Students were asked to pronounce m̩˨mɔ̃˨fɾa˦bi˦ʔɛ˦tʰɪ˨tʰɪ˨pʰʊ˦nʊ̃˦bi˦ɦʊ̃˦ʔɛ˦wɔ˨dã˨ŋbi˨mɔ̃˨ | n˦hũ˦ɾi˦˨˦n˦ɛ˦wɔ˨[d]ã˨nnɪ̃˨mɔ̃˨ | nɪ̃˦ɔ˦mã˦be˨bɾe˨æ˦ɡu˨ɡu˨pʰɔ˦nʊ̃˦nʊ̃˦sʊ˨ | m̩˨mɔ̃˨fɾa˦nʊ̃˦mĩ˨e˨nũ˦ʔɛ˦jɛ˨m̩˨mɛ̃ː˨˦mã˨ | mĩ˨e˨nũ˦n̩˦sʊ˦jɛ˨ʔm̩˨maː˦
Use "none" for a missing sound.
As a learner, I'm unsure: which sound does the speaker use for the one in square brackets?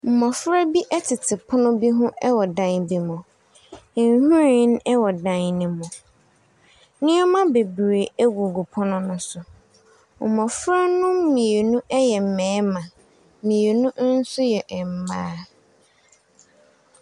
d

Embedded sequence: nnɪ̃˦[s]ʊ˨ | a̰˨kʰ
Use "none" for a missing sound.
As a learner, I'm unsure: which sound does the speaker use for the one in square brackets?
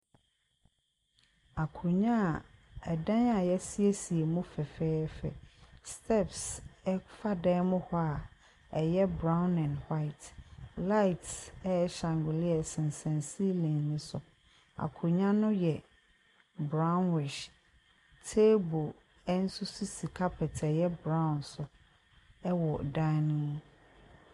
s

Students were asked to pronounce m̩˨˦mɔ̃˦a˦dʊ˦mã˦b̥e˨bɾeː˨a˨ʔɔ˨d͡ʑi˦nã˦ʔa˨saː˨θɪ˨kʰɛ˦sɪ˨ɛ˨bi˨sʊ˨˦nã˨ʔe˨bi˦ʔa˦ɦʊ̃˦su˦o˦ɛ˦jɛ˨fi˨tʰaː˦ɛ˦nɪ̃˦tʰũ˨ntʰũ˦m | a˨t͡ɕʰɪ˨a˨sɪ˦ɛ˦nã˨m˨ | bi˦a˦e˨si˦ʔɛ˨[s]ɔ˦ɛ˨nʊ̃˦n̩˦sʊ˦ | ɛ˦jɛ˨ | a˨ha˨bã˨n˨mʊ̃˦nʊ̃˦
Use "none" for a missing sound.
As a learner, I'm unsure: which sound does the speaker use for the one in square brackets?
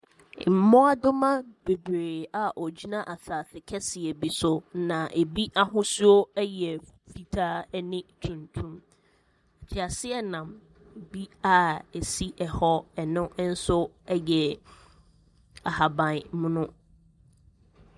h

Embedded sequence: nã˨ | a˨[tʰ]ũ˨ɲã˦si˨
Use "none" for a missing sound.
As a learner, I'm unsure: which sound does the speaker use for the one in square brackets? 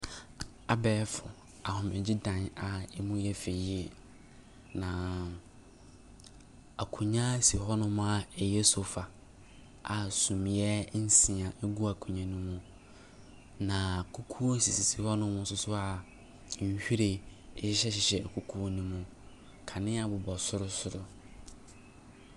kʰ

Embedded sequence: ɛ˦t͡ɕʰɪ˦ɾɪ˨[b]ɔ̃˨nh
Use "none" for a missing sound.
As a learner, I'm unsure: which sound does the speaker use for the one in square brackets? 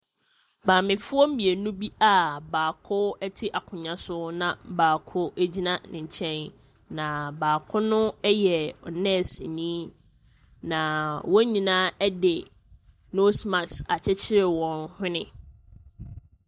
w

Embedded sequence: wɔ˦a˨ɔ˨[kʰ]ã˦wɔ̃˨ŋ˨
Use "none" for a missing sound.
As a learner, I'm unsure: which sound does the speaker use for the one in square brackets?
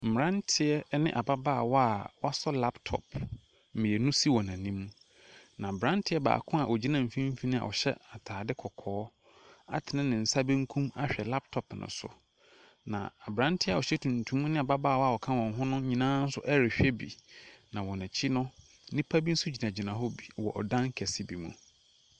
kʰ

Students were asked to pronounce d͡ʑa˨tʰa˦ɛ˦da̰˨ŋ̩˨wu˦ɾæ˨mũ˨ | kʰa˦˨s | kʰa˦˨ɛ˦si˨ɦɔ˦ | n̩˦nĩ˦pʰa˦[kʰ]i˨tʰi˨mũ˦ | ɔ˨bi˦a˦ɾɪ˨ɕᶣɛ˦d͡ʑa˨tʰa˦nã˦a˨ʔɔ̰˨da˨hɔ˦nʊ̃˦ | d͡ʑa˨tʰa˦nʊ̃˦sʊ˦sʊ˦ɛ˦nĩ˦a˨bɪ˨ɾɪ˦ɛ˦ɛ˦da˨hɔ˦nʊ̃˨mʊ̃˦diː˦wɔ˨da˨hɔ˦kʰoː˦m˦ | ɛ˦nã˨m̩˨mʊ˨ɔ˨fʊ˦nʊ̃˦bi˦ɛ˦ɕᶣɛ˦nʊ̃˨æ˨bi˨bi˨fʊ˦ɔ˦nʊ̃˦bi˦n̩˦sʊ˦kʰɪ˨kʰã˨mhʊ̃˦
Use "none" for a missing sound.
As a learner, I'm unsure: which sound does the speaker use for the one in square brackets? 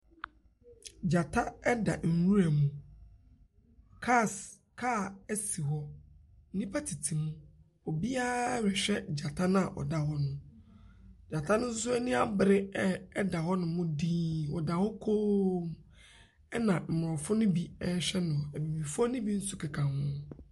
tʰ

